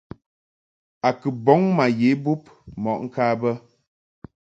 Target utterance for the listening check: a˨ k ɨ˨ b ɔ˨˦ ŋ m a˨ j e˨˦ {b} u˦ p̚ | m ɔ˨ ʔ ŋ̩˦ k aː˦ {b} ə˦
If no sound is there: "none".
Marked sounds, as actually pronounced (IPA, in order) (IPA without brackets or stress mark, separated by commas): b, b